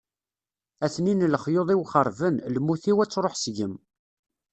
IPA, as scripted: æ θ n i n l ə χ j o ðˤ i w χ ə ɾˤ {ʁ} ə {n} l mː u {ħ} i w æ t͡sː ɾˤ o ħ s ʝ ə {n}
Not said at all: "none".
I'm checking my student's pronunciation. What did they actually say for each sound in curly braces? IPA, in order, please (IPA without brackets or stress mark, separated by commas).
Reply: v, n, θ, m